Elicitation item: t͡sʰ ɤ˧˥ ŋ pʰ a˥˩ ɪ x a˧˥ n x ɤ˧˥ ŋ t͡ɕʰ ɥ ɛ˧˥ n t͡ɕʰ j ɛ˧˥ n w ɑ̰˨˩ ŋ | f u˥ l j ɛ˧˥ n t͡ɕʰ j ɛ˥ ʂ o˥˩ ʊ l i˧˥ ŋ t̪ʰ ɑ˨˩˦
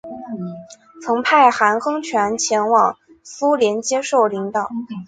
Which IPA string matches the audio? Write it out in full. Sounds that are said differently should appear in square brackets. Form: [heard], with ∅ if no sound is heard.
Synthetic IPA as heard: t͡sʰ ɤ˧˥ ŋ pʰ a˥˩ ɪ x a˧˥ n x [ɤ˥] ŋ t͡ɕʰ ɥ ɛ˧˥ n t͡ɕʰ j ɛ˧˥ n w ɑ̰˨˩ ŋ | [s] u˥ l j ɛ˧˥ n [t͡ɕ] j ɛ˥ ʂ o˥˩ ʊ l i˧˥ ŋ [t̪] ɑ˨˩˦